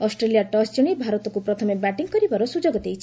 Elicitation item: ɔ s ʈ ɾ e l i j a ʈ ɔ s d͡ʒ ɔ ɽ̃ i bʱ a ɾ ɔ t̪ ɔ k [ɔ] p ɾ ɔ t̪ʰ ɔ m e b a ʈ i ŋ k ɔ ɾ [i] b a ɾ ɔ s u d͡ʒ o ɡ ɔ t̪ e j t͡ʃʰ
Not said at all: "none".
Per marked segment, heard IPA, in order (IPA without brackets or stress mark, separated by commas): u, i